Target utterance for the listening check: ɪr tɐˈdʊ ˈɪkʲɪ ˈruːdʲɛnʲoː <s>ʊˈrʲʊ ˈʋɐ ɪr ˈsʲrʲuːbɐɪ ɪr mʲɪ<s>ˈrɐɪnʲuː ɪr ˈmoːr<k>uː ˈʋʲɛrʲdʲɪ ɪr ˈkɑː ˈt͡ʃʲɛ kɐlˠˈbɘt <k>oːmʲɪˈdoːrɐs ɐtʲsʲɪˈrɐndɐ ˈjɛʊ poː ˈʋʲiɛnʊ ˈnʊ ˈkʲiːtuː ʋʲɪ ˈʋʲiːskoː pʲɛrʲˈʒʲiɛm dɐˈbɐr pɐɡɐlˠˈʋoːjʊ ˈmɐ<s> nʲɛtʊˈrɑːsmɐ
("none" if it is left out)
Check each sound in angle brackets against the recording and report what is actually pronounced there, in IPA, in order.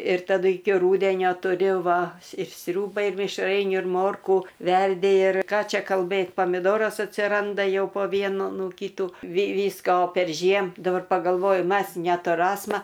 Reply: t, ʃ, k, p, s

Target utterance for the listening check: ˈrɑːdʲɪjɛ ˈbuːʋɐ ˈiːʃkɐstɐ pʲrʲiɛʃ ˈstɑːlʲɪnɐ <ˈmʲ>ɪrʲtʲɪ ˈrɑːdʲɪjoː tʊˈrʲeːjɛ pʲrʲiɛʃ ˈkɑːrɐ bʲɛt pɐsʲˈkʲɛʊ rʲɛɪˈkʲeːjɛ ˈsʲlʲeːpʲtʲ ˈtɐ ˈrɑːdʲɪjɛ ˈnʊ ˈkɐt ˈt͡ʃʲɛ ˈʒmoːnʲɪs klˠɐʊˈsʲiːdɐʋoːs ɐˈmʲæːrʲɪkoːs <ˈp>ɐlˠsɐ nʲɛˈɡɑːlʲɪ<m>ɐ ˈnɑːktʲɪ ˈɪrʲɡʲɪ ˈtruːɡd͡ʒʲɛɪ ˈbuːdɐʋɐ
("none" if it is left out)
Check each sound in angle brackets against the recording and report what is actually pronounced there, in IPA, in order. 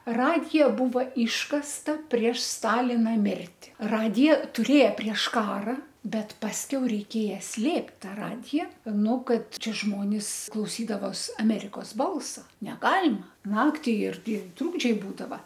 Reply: mʲ, b, m

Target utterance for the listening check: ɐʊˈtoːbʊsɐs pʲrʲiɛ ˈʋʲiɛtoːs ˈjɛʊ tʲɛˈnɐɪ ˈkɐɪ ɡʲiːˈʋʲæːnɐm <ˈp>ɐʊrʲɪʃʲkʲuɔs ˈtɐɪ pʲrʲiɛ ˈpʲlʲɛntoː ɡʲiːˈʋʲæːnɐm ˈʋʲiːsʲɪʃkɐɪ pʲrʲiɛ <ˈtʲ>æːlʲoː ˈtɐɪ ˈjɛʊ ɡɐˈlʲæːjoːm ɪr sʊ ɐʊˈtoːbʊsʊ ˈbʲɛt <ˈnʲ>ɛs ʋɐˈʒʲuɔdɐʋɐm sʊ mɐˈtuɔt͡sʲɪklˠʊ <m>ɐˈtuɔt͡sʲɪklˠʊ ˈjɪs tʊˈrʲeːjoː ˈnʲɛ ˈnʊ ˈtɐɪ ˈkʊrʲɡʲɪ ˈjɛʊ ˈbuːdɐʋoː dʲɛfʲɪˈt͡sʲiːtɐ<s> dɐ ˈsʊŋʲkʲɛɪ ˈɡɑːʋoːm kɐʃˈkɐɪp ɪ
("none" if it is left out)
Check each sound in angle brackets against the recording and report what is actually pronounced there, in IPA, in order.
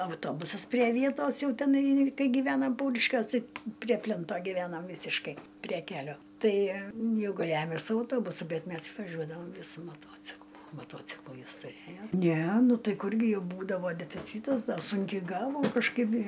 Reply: p, kʲ, mʲ, m, s

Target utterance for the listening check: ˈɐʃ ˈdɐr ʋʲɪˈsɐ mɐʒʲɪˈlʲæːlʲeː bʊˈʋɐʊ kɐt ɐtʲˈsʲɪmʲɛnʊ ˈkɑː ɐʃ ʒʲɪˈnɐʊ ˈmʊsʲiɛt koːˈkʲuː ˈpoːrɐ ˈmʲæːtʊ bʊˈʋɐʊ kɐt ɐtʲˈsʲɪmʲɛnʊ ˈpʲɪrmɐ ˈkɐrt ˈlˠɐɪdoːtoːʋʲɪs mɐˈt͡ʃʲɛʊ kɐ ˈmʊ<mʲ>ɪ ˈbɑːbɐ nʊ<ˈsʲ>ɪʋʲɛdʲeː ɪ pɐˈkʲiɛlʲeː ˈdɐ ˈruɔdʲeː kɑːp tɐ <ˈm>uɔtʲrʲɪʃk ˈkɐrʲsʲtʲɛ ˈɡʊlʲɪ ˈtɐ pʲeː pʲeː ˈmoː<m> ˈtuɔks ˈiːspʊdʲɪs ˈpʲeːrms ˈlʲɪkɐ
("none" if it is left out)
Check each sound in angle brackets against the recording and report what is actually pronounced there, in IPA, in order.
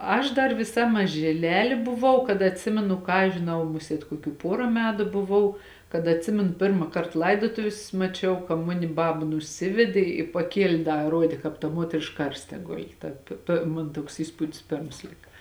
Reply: nʲ, sʲ, m, n

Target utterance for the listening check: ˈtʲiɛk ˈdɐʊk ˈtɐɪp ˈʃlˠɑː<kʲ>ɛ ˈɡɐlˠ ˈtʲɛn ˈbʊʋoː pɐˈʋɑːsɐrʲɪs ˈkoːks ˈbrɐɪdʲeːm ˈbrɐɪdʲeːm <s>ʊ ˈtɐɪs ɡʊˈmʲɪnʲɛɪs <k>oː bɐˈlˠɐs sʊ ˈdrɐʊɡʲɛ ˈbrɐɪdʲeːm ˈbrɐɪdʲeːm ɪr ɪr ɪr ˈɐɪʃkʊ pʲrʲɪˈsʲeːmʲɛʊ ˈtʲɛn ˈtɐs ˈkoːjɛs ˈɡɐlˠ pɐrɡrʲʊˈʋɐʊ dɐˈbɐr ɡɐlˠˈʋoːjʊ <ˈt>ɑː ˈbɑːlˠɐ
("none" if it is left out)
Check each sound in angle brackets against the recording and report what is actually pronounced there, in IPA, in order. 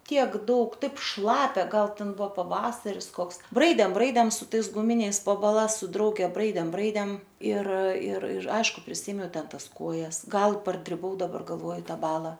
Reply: pʲ, s, p, t

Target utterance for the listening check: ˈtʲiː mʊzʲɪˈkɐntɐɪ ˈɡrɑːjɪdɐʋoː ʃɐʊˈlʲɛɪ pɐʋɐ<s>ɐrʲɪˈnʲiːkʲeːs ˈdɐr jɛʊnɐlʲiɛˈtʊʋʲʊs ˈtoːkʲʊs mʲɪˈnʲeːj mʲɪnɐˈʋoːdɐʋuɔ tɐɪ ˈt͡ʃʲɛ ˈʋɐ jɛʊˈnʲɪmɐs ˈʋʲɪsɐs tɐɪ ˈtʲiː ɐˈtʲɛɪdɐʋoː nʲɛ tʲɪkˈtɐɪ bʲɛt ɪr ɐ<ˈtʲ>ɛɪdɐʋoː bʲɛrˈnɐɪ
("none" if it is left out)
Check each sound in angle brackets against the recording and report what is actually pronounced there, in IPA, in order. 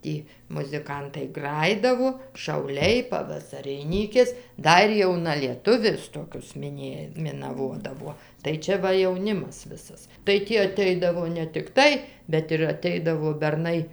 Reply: s, tʲ

